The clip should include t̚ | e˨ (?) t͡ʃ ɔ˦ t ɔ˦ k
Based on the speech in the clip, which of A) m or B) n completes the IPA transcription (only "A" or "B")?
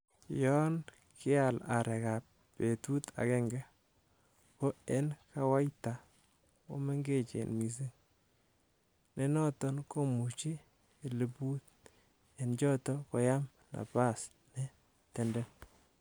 B